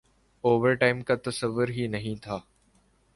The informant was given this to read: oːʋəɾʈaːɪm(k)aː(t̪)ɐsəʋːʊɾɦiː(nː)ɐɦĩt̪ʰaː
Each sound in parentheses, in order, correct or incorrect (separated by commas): correct, correct, incorrect